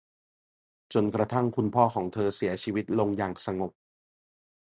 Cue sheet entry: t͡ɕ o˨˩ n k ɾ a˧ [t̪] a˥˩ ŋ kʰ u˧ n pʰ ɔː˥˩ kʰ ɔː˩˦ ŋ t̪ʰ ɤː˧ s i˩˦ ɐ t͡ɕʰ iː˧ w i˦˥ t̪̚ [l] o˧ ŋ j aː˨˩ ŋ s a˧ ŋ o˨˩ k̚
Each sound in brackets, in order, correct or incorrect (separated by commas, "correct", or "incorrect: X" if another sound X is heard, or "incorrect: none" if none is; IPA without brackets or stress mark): incorrect: t̪ʰ, correct